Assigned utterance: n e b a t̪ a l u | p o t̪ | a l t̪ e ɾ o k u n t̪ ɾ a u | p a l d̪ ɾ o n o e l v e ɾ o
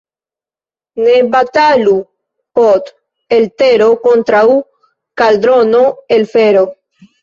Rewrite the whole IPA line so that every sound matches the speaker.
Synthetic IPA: n e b a t̪ a l u | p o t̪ | e l t̪ e ɾ o k o n t̪ ɾ a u | k a l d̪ ɾ o n o e l f e ɾ o